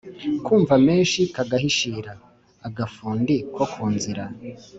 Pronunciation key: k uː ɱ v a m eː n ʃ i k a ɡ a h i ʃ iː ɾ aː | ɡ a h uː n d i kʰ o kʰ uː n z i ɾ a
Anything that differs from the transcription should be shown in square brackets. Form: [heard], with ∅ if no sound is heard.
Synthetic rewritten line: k uː ɱ v a m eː n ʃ i k a ɡ a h i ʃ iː ɾ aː | ɡ a [f] uː n d i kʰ o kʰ uː n z i ɾ a